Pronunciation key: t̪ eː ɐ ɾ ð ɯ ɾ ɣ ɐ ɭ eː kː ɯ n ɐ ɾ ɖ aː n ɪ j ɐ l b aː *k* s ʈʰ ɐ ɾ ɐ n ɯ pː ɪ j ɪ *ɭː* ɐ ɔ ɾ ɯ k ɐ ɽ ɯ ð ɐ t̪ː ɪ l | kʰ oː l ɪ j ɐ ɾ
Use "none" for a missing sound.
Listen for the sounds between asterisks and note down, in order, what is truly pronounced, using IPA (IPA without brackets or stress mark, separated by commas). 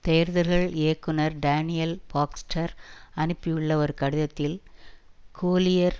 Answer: k, ɭː